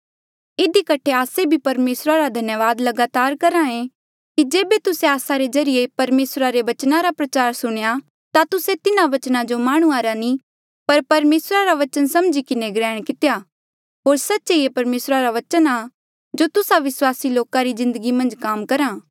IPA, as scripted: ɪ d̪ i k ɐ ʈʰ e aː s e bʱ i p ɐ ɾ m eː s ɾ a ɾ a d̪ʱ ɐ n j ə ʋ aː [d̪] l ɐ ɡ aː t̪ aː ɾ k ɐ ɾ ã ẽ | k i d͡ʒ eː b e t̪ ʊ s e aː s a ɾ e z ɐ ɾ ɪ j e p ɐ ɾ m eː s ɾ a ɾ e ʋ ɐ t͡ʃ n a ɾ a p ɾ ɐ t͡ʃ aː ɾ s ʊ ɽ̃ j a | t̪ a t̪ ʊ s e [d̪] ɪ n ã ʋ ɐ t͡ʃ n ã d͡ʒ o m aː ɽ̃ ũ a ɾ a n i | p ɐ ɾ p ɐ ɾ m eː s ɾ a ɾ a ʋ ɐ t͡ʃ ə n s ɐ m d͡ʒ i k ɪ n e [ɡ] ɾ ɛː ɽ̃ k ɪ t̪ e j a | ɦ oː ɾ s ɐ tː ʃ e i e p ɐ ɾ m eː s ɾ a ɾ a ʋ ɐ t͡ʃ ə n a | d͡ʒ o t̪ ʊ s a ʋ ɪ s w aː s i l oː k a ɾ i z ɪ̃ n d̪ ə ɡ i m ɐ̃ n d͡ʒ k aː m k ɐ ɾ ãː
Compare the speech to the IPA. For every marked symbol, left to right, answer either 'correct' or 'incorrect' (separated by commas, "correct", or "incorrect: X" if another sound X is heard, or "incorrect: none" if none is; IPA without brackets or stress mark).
correct, incorrect: t̪, correct